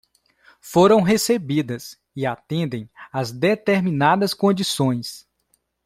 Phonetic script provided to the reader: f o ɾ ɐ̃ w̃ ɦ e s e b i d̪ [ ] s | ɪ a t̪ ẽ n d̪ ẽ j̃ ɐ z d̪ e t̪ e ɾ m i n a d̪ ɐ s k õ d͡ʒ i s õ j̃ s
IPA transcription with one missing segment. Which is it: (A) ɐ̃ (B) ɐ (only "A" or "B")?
B